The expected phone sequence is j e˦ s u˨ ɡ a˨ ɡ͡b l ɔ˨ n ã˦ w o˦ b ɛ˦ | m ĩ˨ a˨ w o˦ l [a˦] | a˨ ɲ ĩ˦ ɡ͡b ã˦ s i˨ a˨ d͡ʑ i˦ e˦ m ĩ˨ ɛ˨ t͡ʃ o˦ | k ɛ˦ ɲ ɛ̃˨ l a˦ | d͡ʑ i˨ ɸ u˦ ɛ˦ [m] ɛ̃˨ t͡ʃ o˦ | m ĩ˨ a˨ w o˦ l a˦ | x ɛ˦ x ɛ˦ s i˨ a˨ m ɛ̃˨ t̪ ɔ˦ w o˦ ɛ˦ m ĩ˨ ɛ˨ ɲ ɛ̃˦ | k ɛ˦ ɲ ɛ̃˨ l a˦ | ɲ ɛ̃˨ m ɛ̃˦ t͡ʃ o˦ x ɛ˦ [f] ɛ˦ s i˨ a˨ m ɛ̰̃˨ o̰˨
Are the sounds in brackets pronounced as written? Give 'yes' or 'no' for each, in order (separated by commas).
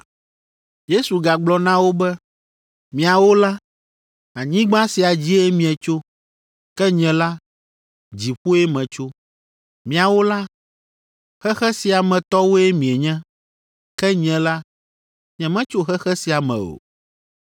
yes, yes, no